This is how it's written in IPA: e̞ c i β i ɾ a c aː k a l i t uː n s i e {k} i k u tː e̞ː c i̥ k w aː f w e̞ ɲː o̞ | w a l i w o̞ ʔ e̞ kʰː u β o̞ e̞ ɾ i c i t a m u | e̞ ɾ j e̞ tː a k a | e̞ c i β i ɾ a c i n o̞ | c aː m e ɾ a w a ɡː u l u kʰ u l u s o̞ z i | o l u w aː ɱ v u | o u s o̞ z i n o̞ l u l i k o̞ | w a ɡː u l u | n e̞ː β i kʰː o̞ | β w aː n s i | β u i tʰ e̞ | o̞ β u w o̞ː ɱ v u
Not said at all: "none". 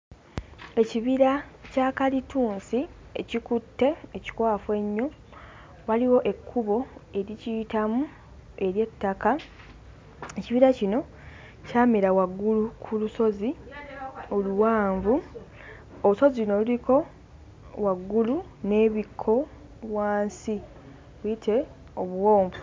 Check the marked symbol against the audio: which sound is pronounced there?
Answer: c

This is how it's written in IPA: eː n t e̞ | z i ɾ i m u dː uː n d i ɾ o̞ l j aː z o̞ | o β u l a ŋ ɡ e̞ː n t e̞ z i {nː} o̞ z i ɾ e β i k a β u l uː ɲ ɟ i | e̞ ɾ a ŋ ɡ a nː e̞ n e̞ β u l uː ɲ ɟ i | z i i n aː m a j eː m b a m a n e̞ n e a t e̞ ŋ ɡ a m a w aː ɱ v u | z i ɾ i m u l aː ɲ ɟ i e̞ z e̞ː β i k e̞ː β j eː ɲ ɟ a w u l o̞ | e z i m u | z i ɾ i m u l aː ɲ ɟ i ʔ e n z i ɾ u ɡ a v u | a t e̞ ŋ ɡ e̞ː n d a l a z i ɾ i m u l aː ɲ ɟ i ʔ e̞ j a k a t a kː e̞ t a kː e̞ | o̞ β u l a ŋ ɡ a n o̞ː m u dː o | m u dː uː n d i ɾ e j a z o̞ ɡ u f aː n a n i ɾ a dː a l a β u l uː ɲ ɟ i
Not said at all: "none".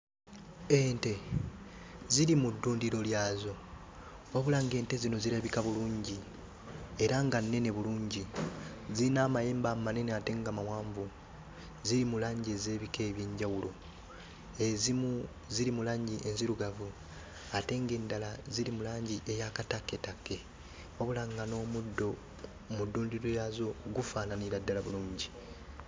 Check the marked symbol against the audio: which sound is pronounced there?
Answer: n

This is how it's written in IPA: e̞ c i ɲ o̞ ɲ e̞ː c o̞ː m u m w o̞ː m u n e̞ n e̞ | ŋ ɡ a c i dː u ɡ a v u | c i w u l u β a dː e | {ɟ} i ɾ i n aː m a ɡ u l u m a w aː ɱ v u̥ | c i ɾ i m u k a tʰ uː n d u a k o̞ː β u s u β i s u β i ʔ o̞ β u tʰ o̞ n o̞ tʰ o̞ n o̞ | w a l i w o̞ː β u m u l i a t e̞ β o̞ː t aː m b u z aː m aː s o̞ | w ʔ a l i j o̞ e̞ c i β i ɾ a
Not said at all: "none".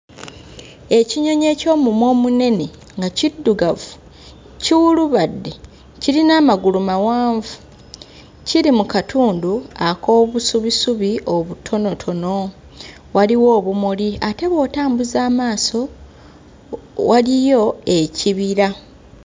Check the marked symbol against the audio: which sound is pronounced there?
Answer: c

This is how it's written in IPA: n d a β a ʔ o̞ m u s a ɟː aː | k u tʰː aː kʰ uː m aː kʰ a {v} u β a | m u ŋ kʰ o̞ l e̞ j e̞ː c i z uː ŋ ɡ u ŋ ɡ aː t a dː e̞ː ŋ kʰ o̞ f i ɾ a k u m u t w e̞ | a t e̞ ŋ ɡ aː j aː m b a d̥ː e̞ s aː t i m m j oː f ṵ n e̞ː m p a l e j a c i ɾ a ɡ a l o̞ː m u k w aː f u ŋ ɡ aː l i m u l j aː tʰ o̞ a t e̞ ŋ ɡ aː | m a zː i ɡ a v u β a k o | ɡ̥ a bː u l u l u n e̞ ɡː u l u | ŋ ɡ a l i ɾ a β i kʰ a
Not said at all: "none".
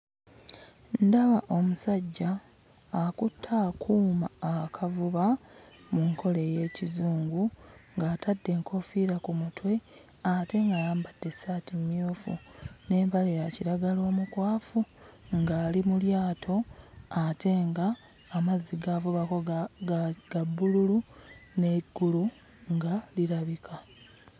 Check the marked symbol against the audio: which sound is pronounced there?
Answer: v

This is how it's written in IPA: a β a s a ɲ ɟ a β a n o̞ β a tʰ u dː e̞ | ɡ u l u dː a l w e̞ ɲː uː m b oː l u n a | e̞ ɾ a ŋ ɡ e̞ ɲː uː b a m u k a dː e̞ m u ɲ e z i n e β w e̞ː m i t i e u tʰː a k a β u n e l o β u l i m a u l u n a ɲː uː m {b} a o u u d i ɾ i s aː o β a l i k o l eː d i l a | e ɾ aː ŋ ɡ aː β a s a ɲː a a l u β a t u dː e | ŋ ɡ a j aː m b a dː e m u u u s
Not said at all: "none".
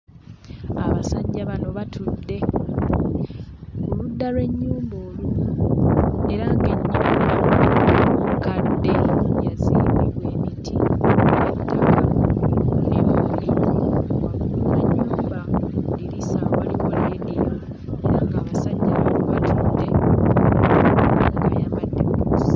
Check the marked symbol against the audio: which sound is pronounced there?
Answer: b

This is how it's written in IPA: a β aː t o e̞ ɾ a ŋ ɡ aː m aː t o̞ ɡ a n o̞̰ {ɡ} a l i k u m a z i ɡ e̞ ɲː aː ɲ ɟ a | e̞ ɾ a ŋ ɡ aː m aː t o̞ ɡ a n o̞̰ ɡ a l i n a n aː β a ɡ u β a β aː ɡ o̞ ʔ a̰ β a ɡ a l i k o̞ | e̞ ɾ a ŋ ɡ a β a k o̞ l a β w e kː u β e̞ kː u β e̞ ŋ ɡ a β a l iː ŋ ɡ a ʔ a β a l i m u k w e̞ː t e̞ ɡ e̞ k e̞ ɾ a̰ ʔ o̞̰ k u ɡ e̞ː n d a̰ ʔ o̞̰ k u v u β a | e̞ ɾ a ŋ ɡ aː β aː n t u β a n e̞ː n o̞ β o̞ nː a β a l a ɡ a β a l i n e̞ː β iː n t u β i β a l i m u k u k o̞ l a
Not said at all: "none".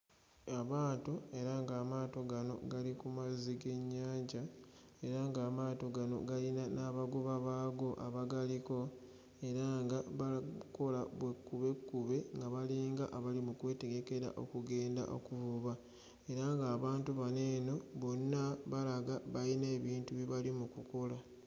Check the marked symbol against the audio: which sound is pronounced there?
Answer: ɡ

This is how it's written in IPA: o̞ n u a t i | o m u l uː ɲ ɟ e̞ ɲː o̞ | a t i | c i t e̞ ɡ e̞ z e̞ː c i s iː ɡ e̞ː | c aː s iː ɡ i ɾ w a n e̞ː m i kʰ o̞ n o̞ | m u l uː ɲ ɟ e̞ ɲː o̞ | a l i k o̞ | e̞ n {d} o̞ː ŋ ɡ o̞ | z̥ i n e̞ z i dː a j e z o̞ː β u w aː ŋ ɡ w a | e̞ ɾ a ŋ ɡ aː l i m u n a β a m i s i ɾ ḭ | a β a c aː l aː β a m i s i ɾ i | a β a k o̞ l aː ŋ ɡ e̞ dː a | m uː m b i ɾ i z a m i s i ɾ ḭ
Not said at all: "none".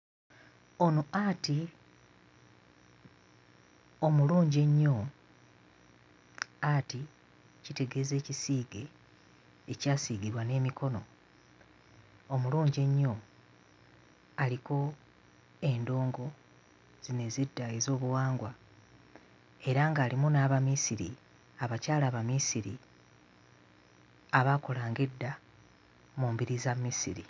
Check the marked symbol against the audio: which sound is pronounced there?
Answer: d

